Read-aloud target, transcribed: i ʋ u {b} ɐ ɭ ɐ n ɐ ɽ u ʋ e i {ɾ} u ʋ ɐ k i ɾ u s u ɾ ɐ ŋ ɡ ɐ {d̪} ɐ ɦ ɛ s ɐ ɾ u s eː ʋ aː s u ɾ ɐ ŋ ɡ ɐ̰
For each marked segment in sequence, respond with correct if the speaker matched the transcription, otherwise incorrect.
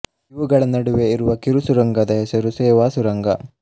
incorrect, correct, correct

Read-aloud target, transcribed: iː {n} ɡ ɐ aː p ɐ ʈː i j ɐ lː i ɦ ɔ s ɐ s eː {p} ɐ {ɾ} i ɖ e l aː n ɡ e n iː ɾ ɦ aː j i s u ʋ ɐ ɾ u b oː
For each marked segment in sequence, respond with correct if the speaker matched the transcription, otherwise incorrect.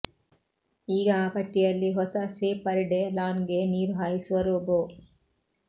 incorrect, correct, correct

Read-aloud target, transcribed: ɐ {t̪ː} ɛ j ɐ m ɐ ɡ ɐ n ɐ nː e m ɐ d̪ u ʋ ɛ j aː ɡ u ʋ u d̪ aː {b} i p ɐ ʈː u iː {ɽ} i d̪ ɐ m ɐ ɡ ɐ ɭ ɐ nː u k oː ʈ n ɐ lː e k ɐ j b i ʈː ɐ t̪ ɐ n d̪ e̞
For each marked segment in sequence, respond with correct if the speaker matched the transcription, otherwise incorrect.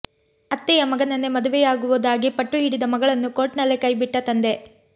correct, incorrect, correct

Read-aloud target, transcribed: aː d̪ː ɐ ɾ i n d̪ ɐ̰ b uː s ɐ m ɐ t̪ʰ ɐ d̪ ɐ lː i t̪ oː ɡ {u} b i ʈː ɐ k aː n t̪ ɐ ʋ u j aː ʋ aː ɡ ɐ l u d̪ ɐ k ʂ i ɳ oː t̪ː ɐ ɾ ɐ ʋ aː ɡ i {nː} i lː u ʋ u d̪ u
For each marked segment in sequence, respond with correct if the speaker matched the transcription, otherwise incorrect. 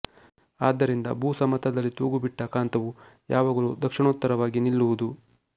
correct, incorrect

